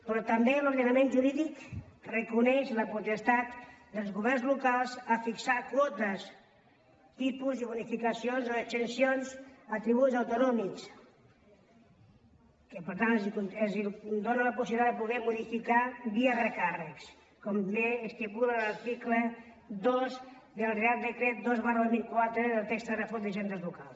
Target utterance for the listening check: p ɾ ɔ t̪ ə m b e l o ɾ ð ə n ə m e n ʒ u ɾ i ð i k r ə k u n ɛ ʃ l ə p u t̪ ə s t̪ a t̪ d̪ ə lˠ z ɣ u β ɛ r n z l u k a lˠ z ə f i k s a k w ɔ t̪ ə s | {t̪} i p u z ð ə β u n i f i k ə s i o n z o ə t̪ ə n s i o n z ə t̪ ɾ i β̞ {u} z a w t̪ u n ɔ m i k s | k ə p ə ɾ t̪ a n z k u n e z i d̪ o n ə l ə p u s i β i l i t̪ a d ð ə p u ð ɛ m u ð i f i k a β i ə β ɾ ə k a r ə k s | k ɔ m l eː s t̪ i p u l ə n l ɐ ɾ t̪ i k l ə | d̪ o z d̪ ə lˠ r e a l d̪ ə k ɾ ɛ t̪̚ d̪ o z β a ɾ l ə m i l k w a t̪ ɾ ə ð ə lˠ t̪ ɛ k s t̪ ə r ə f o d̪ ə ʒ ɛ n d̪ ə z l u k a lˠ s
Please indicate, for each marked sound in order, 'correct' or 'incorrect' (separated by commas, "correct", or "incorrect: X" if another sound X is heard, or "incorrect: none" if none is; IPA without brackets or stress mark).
correct, correct